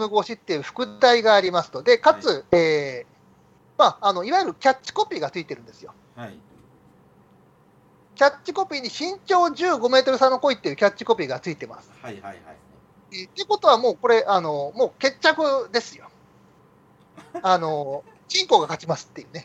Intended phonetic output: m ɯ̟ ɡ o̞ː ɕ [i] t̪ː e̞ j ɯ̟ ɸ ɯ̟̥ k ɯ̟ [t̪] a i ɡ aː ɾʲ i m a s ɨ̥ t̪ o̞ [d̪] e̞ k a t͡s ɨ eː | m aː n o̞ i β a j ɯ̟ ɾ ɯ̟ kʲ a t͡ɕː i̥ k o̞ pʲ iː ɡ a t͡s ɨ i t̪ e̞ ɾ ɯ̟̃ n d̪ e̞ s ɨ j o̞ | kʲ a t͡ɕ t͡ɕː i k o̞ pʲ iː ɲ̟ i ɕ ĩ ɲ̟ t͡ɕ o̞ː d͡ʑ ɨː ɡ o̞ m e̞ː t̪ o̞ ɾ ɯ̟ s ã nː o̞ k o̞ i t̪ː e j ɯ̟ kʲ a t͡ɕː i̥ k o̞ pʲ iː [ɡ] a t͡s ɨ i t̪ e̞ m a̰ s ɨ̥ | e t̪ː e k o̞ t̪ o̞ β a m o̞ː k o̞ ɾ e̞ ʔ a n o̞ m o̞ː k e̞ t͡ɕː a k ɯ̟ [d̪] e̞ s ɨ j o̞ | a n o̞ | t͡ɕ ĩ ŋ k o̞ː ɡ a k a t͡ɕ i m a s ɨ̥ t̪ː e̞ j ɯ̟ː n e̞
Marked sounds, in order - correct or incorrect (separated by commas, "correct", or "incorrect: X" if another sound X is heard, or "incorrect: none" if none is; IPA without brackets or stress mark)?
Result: correct, correct, correct, correct, correct